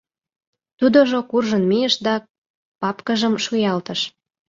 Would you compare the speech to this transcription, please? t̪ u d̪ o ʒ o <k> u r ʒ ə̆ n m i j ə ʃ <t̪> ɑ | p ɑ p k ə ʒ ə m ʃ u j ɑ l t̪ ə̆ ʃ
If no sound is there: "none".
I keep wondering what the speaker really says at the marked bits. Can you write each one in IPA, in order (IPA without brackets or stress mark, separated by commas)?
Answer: k, d̪